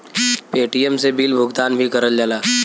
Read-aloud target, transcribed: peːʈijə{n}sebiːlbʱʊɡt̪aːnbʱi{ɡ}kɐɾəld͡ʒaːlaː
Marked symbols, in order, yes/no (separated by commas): no, no